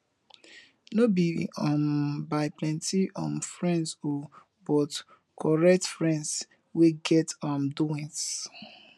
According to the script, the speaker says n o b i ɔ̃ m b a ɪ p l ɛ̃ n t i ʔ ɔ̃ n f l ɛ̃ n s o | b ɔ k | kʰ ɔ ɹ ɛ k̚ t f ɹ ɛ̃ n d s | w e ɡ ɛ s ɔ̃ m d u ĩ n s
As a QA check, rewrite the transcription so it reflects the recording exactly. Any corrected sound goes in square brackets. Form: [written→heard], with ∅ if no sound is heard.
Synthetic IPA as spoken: n o b i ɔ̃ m b a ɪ p l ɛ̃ n t i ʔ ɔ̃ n f [l→ɹ] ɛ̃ n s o | b ɔ [k→t] | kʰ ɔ ɹ ɛ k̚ t f ɹ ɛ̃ n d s | w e ɡ ɛ [s→t] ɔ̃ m d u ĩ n s